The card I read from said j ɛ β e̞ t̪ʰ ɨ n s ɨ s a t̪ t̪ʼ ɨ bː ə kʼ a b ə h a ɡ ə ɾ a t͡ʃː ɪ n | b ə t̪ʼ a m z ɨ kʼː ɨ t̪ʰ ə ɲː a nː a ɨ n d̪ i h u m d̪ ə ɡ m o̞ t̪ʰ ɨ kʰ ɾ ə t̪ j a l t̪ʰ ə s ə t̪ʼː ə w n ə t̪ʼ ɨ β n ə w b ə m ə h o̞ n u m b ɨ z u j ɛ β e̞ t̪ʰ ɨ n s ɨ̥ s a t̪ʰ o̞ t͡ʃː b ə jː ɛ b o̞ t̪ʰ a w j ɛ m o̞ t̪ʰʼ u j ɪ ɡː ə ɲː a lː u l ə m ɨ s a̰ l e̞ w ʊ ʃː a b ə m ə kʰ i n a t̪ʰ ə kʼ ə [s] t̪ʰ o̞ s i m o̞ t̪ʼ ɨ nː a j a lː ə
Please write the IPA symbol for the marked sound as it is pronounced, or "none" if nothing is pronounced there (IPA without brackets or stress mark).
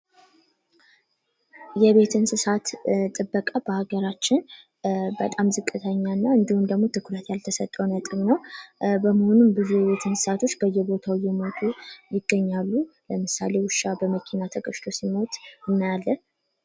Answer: ʃ